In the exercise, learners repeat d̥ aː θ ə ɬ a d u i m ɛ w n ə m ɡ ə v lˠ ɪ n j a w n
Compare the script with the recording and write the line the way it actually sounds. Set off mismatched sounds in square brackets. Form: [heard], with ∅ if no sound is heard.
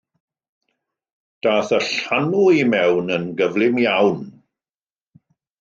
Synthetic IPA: d̥ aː θ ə ɬ a [n] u i m ɛ w n ə [n] ɡ ə v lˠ ɪ [m] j a w n